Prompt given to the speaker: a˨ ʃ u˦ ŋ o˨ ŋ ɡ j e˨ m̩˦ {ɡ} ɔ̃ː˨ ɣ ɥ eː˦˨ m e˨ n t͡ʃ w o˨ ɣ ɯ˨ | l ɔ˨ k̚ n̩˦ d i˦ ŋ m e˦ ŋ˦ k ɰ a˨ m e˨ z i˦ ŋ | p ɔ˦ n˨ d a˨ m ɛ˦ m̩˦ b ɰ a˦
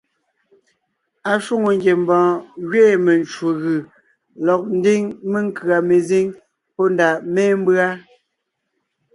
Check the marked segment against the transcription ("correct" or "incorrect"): incorrect